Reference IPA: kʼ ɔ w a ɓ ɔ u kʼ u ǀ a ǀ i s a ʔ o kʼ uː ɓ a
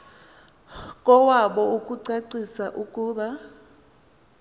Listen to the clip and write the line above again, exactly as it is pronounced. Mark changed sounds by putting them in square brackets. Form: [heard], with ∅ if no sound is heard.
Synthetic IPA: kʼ ɔ w a ɓ ɔ u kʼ u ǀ a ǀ i s a ʔ [u] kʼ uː ɓ a